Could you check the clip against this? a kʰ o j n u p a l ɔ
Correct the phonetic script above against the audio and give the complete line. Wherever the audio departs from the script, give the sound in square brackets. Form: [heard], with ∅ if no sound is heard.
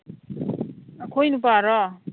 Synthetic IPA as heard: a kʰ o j n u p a [ɾ] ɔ